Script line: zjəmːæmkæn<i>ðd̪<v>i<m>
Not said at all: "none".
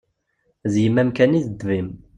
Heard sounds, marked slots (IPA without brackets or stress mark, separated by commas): i, v, m